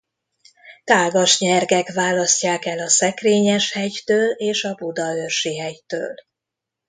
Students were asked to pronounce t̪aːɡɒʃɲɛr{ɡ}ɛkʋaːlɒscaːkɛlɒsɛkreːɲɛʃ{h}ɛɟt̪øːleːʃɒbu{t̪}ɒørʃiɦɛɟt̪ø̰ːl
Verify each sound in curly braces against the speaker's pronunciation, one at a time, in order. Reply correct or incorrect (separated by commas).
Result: correct, correct, incorrect